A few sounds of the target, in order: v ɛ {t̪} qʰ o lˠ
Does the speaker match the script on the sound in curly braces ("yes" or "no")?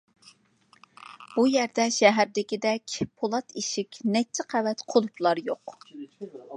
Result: yes